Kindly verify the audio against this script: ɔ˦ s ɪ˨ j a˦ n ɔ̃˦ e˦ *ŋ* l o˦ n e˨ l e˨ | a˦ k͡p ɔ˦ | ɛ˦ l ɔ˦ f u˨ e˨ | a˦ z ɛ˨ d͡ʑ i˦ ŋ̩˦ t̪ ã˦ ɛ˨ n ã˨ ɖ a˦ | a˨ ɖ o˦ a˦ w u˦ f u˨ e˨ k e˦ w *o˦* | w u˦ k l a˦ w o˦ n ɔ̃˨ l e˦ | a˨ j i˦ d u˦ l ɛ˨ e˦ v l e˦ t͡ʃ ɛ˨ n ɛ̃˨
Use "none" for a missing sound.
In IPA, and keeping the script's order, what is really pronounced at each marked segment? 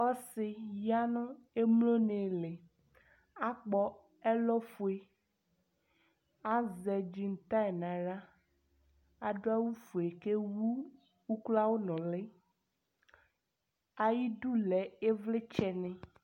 m, u˦

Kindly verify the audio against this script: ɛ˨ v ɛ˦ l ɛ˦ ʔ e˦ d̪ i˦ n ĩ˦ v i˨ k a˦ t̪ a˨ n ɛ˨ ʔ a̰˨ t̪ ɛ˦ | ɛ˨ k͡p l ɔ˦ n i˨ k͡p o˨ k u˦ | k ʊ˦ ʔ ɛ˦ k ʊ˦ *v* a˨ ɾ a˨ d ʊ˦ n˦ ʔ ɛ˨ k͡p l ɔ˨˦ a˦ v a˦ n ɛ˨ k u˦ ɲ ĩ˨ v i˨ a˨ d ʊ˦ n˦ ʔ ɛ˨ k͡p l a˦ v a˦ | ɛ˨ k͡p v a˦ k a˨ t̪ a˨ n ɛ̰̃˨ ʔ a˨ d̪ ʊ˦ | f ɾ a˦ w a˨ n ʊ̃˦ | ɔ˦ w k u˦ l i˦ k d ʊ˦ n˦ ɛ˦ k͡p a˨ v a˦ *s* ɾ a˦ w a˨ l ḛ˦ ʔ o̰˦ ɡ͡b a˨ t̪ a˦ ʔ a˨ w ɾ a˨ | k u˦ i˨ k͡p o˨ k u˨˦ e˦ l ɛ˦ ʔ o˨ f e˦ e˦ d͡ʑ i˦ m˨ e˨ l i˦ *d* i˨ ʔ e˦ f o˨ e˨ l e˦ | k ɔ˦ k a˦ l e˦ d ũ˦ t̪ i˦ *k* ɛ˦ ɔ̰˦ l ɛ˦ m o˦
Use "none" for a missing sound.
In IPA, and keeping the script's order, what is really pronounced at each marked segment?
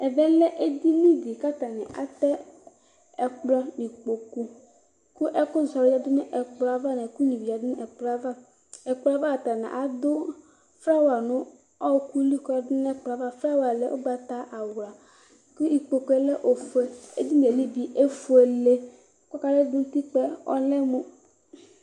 z, f, b, k͡p

